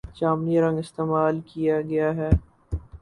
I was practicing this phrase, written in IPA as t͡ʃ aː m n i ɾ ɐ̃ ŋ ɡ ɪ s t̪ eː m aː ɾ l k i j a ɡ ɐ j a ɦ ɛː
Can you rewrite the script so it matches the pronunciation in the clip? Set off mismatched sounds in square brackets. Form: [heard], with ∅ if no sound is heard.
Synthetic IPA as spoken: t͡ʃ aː m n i ɾ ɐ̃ ŋ ɡ ɪ s t̪ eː m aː [∅] l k i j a ɡ ɐ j a ɦ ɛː